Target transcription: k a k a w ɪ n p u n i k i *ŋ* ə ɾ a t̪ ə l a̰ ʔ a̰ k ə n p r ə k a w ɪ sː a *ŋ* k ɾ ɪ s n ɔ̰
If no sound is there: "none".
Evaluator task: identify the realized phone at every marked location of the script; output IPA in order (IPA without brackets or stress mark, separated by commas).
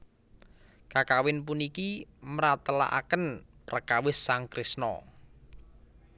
m, ŋ